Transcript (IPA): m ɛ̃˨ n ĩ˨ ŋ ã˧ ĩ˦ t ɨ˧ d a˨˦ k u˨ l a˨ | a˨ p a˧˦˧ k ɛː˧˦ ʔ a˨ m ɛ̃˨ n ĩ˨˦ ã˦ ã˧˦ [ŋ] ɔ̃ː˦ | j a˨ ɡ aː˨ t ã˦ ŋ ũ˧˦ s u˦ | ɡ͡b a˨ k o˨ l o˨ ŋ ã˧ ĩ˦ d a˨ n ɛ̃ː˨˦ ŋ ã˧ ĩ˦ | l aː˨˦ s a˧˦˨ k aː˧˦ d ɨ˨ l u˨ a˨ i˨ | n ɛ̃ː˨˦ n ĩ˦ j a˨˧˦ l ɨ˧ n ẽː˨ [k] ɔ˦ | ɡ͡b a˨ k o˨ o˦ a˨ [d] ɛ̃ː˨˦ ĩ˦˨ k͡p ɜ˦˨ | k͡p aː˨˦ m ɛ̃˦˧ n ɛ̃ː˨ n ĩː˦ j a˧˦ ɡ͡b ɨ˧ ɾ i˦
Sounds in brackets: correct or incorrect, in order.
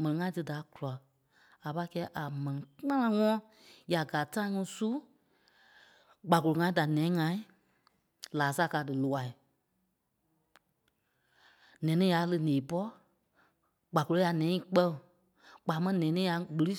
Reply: correct, incorrect, incorrect

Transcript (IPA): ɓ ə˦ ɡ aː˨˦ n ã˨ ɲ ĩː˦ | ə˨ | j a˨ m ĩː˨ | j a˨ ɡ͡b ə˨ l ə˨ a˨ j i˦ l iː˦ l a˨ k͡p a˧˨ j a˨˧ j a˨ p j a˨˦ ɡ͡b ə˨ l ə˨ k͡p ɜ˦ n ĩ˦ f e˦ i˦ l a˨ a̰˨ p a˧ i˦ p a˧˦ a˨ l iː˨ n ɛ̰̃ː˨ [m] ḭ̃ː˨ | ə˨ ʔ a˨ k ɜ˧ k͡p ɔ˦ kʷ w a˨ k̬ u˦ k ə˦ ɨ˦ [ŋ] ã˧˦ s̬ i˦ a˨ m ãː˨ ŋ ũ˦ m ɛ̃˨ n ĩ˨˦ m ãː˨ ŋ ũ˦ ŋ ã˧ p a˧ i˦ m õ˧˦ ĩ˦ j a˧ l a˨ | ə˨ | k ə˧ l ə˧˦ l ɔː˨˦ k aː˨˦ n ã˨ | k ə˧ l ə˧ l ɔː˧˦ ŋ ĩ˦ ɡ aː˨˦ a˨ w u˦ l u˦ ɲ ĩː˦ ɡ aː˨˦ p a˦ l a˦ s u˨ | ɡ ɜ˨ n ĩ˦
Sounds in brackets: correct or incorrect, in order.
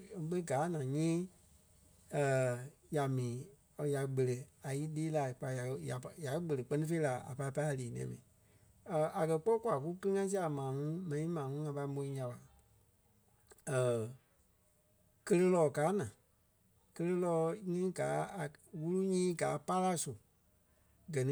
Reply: correct, correct

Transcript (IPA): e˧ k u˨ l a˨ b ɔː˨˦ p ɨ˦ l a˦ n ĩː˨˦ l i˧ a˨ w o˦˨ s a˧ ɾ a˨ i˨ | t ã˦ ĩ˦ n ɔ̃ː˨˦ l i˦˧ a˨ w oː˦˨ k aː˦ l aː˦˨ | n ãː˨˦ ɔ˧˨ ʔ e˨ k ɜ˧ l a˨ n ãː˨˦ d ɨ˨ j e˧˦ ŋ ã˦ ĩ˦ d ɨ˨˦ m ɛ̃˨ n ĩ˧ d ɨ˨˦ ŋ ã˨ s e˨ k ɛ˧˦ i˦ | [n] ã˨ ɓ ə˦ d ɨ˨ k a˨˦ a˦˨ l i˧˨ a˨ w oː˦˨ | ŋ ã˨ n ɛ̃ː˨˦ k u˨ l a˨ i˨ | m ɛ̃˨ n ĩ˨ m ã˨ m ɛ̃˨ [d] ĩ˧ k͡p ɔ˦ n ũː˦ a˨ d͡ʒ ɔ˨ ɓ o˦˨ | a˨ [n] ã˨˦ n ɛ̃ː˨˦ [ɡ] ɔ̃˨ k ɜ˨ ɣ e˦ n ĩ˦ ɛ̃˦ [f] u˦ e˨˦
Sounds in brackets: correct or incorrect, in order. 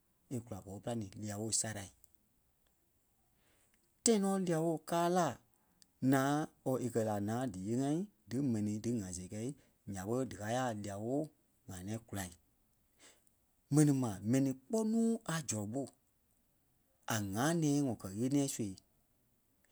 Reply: incorrect, incorrect, incorrect, incorrect, incorrect

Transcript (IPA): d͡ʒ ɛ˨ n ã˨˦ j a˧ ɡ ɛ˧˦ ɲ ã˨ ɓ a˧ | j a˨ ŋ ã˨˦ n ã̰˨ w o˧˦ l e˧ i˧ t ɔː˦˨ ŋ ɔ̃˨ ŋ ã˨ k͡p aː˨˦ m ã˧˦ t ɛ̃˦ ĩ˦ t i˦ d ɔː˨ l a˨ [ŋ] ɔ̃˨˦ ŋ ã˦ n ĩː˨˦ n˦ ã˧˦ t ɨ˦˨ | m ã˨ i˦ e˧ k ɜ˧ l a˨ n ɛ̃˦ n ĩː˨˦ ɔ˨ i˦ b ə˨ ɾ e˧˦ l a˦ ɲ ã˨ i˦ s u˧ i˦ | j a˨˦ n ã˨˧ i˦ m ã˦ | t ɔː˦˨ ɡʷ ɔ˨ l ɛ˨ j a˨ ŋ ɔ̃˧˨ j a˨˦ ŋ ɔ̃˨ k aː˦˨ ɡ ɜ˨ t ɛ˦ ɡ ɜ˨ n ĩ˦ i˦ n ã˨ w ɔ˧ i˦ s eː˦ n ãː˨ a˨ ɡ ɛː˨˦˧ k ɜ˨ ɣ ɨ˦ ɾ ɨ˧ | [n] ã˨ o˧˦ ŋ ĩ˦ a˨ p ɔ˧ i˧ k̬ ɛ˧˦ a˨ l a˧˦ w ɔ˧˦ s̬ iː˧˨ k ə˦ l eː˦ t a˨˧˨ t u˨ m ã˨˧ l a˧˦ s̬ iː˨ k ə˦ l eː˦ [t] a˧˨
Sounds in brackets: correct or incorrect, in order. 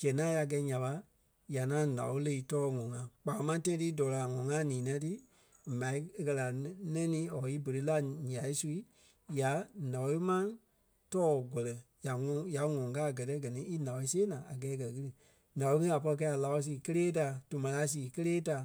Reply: correct, correct, correct

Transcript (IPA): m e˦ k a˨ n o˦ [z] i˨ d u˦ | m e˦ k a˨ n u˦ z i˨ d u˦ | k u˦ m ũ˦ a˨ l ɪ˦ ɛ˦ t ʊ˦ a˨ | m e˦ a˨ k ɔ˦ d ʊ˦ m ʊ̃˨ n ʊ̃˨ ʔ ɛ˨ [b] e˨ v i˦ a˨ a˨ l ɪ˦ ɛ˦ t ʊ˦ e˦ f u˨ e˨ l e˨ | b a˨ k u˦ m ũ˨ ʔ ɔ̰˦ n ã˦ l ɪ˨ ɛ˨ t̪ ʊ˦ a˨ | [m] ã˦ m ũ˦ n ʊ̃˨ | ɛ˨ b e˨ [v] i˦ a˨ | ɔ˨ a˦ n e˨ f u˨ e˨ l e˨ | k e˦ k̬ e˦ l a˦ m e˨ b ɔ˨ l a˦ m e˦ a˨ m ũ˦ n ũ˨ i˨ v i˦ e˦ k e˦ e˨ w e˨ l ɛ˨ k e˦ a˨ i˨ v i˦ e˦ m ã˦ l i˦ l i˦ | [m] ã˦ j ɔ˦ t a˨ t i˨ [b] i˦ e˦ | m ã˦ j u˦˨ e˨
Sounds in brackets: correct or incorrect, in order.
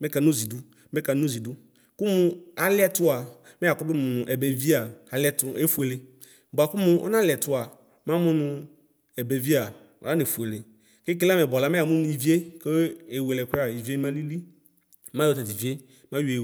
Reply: correct, correct, correct, correct, correct, incorrect

